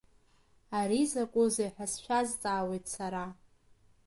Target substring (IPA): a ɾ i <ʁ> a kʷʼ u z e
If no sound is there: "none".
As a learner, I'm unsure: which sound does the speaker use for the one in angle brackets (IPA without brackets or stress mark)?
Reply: z